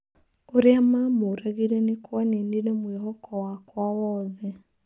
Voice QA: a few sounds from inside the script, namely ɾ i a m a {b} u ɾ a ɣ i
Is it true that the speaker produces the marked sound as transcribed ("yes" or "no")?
no